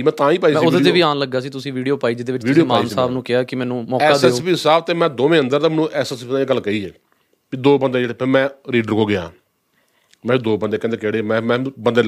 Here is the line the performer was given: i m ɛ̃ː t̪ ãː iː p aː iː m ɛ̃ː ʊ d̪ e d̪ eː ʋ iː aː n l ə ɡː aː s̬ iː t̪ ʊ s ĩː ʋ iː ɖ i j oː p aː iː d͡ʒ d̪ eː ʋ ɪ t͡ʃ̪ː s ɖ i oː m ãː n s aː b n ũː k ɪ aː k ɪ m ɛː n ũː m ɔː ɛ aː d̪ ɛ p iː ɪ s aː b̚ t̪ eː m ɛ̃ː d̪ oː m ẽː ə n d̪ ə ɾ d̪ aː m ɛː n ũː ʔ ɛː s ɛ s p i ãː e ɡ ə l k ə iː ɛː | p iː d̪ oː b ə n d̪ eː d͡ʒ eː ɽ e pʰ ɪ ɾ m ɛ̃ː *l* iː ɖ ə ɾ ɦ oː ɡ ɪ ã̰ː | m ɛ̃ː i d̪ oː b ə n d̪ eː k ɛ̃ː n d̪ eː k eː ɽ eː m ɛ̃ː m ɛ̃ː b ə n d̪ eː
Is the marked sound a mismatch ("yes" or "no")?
yes